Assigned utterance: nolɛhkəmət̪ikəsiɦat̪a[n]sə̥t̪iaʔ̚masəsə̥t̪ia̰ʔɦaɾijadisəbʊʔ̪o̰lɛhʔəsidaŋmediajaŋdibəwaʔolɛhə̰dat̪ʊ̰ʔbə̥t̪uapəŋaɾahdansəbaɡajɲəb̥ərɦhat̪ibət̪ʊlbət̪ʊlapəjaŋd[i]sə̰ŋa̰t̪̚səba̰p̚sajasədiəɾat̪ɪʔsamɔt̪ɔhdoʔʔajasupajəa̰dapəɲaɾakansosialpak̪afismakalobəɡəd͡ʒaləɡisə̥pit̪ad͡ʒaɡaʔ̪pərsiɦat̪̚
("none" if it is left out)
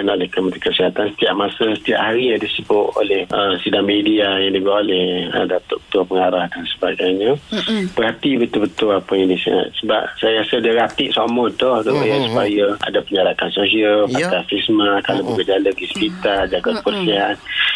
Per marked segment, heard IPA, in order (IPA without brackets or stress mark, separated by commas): n, i